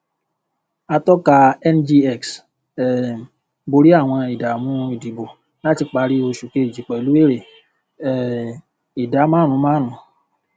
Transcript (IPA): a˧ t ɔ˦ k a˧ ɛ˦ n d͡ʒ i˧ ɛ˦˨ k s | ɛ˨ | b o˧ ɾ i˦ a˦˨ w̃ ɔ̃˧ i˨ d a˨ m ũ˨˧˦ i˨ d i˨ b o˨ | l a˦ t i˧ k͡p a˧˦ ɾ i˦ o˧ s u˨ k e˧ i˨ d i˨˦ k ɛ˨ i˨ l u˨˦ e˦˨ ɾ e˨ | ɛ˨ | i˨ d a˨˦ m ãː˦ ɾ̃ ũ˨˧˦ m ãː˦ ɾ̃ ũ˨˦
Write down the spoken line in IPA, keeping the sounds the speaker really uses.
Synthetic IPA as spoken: a˧ t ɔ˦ k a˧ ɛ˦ n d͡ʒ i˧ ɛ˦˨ k s | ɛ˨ | b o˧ ɾ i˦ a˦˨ w̃ ɔ̃˧ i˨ d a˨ m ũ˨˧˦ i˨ d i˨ b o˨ | l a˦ t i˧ k͡p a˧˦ ɾ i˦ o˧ ʃ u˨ k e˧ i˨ d͡ʒ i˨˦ k͡p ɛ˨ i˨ l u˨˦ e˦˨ ɾ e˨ | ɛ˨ | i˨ d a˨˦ m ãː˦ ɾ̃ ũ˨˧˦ m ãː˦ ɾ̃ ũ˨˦